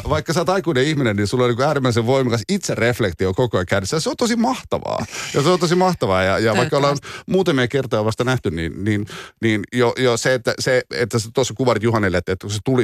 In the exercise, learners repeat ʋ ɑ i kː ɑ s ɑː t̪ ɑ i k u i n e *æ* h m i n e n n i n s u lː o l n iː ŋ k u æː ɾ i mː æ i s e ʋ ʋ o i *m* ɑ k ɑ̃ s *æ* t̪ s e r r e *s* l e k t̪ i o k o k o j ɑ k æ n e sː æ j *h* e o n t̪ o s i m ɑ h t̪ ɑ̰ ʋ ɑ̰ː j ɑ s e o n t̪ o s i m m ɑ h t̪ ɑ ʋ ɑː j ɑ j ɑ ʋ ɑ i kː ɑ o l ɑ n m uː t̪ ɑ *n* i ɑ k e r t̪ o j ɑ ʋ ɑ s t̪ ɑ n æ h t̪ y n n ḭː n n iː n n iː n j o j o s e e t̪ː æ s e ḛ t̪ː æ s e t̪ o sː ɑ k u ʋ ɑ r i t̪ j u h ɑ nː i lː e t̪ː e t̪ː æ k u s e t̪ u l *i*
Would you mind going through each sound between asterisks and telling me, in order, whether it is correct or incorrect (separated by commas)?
incorrect, correct, incorrect, incorrect, incorrect, incorrect, correct